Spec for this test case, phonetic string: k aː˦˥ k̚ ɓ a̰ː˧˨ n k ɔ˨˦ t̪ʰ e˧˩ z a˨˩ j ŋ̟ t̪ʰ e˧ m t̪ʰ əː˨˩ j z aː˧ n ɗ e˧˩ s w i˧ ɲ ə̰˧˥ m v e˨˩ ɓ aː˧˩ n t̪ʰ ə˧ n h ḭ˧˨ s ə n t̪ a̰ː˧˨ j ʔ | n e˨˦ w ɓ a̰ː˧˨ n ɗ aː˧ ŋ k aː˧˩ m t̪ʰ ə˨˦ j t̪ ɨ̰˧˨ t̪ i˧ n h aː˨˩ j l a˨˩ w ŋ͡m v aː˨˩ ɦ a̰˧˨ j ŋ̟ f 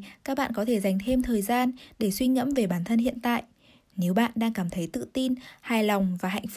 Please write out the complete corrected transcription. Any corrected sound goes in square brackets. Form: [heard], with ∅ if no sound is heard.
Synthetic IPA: k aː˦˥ k̚ ɓ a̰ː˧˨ n k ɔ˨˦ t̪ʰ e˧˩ z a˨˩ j ŋ̟ t̪ʰ e˧ m t̪ʰ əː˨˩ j z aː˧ n ɗ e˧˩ s w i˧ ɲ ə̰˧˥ m v e˨˩ ɓ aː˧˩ n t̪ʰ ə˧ n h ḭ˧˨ [∅] ə n t̪ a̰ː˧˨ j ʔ | n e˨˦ w ɓ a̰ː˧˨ n ɗ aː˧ ŋ k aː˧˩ m t̪ʰ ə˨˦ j t̪ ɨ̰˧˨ t̪ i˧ n h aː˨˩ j l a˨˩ w ŋ͡m v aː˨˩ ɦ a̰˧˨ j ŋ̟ f